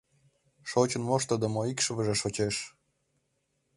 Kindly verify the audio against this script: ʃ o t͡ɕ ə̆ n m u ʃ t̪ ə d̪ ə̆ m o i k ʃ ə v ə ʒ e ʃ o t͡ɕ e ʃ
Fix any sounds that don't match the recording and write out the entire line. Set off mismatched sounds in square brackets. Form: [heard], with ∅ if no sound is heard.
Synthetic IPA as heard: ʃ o t͡ɕ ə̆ n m [o] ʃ t̪ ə d̪ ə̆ m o i k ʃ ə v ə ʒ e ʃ o t͡ɕ e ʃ